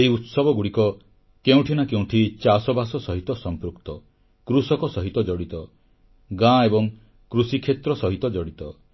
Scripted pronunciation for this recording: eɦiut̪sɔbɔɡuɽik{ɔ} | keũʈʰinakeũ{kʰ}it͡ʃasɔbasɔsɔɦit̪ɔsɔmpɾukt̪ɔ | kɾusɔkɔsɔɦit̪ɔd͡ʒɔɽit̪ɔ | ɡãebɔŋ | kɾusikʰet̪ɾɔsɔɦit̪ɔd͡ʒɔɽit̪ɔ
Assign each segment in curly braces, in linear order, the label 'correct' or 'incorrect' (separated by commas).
correct, incorrect